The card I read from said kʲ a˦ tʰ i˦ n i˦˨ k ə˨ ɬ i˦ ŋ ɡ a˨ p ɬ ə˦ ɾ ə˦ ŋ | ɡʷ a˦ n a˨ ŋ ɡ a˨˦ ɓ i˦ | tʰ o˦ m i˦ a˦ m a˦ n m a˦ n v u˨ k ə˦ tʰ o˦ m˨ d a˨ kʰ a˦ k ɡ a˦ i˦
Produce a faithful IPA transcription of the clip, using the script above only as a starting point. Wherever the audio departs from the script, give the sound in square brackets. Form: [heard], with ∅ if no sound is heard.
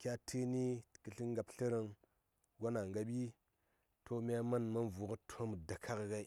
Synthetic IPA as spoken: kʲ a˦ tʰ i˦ n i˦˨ k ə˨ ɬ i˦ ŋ ɡ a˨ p ɬ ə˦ ɾ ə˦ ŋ | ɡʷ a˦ n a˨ ŋ ɡ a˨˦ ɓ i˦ | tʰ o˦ m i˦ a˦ m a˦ n m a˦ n v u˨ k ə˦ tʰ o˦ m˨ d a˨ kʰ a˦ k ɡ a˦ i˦